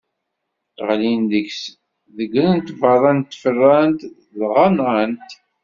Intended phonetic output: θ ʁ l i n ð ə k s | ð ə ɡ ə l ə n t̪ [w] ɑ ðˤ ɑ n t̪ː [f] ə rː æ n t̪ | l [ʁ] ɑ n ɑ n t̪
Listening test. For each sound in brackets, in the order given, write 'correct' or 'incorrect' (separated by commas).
incorrect, correct, correct